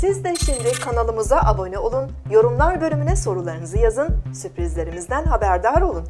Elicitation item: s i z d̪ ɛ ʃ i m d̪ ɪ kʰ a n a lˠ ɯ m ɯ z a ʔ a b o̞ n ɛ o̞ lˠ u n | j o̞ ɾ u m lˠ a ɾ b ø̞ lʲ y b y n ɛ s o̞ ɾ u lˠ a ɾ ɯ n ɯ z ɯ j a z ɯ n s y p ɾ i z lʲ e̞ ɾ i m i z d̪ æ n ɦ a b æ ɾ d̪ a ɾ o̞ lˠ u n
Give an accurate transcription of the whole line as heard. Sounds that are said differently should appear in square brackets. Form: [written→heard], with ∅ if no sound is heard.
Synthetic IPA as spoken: s i z d̪ ɛ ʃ i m d̪ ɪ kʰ a n a lˠ ɯ m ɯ z a ʔ a b o̞ n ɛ o̞ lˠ u n | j o̞ ɾ u m lˠ a ɾ b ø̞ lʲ y [b→m] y n ɛ s o̞ ɾ u lˠ a ɾ ɯ n ɯ z ɯ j a z ɯ n s y p ɾ i z lʲ e̞ ɾ i m i z d̪ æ n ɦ a b æ ɾ d̪ a ɾ o̞ lˠ u n